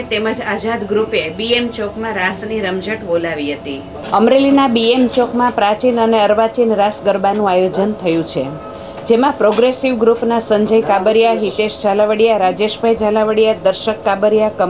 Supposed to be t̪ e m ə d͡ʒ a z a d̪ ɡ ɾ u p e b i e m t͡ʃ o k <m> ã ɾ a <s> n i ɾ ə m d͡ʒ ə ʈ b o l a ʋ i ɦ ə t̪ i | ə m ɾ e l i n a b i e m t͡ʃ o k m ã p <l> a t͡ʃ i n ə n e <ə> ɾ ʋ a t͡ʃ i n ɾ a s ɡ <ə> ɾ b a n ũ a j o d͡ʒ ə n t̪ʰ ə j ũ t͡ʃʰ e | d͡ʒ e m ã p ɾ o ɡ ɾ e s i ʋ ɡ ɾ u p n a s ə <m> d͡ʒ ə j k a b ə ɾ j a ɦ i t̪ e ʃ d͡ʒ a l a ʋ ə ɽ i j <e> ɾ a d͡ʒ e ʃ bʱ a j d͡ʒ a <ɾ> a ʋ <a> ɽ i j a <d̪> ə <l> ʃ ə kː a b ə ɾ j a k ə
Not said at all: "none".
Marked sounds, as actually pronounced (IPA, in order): m, s, ɾ, ə, ə, ɲ, a, l, ə, d̪, ɾ

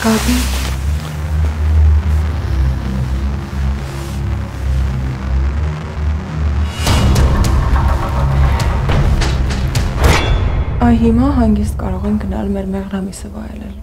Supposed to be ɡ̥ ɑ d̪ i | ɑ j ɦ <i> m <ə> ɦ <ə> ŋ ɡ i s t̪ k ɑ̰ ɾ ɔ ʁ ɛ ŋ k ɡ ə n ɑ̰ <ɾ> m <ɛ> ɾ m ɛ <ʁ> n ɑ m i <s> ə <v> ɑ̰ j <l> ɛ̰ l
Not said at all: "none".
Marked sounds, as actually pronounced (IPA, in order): i, ɑ, ɑ, l, ɛ, ʁ, s, v, l

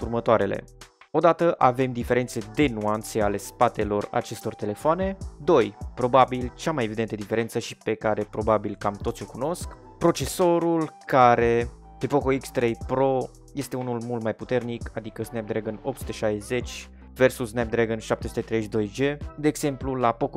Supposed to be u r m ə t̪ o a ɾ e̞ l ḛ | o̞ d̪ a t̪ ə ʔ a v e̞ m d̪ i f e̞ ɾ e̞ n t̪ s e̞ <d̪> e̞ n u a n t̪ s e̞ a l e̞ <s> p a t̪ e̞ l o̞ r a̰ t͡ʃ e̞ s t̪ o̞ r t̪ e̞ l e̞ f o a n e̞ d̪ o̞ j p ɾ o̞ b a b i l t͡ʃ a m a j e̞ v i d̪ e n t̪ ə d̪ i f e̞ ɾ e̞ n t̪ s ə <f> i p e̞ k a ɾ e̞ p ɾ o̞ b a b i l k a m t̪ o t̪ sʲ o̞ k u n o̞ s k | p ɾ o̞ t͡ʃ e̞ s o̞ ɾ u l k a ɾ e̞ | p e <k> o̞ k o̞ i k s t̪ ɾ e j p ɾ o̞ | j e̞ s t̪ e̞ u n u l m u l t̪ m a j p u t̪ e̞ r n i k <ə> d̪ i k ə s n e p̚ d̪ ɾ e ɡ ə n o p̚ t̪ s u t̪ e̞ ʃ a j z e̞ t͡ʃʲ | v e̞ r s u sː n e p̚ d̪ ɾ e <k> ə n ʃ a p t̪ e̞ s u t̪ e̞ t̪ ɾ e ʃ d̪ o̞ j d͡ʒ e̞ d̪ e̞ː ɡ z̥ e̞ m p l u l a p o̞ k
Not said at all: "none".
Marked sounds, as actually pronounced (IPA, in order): d̪, s, ʃ, p, a, ɡ

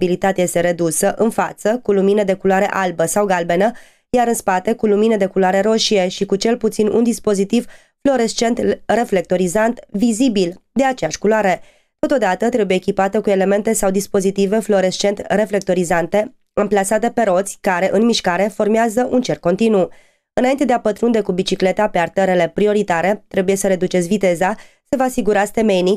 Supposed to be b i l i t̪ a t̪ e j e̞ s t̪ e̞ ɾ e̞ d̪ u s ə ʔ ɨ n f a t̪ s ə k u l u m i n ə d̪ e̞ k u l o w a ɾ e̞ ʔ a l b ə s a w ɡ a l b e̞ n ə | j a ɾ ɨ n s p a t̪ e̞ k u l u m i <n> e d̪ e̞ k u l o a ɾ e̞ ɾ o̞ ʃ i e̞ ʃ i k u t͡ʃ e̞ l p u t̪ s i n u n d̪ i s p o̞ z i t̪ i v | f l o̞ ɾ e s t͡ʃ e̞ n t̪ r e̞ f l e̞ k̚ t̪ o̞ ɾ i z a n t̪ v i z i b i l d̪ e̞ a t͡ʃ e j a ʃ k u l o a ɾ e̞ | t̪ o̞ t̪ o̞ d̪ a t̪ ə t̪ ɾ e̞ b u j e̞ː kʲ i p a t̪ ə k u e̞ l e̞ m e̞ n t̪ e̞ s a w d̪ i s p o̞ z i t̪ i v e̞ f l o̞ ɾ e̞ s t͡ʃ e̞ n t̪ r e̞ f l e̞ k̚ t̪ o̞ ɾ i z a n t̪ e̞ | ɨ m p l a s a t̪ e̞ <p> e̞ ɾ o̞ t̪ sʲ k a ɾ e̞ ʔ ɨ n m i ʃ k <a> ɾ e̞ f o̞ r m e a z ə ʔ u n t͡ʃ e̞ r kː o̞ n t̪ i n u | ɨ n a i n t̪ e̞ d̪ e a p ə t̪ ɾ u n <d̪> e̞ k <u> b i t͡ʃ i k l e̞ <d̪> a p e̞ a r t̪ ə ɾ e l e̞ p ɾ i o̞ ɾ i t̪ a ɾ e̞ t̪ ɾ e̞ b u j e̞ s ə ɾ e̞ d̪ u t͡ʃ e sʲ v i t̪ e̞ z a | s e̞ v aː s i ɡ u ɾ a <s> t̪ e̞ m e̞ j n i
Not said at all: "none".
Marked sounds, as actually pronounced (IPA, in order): n, p, a, d̪, u, t̪, s

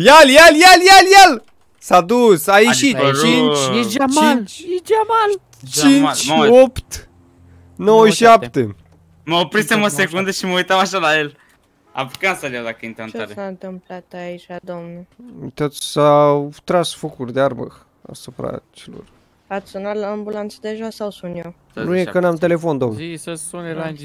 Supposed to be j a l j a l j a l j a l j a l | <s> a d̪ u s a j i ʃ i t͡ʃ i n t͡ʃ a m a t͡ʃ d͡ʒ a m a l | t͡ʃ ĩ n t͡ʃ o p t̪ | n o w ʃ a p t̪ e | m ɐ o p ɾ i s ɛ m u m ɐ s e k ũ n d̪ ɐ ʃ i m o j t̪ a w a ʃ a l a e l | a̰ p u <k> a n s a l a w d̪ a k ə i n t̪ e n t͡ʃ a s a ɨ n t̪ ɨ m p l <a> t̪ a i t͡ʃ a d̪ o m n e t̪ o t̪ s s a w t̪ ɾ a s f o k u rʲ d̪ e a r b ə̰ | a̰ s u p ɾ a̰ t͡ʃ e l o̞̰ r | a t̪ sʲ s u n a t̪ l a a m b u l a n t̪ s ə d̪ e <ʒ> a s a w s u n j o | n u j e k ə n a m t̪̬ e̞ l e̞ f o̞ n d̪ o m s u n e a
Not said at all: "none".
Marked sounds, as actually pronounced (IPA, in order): s, k, a, ʒ

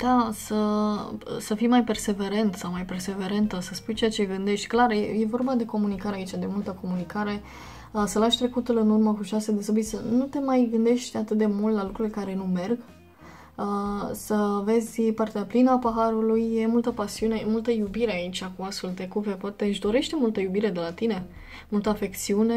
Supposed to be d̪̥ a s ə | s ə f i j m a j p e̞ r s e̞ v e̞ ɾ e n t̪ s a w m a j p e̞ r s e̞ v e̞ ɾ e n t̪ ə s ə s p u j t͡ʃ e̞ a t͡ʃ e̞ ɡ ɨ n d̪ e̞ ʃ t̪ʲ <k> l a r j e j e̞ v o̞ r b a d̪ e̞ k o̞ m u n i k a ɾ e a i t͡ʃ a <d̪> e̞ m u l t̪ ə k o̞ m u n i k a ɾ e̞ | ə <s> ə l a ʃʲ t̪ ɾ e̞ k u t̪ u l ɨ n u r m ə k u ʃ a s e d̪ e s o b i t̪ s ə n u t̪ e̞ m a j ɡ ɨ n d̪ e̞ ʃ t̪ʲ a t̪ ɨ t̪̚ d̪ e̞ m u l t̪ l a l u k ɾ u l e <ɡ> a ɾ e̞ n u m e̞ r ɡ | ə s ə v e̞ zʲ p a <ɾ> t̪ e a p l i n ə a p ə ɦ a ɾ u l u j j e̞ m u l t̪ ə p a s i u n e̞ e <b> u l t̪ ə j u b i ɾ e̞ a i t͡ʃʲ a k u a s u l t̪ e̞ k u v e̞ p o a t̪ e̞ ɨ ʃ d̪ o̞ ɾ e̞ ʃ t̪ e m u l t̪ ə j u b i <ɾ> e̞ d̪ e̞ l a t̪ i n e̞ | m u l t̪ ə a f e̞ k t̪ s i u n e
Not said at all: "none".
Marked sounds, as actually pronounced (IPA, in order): k, d̪, s, k, r, m, ɾ

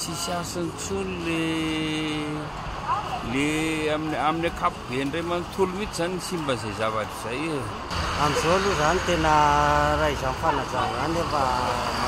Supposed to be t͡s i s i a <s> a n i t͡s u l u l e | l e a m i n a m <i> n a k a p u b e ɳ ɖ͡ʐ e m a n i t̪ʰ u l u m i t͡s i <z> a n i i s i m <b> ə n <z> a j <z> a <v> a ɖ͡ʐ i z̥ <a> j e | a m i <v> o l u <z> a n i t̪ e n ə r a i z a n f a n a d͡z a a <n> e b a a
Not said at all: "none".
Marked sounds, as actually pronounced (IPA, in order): s, i, z, b, z, z, v, a, z, z, n

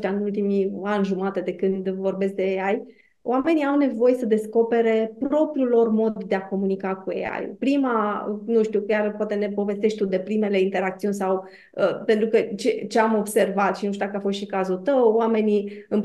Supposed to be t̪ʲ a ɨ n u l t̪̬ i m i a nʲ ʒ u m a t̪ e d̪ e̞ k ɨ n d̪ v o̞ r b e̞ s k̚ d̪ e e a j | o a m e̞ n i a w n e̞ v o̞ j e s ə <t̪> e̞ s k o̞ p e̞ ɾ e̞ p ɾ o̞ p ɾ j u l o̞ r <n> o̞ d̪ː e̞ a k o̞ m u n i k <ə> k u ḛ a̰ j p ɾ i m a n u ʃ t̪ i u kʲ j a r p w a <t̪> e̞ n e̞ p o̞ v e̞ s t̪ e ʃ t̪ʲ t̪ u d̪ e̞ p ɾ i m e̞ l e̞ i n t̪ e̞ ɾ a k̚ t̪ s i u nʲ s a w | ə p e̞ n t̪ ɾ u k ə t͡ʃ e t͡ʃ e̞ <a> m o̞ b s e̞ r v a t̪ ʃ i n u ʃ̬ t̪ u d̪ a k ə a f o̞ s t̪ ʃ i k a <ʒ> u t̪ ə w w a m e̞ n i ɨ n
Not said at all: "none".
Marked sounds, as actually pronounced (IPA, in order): d̪, m, a, t̪, a, z

